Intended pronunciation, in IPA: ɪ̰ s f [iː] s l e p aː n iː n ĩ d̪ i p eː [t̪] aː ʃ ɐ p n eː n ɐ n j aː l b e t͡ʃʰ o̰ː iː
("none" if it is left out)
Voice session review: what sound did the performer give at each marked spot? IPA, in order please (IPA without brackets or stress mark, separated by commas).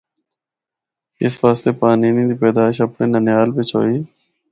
aː, d̪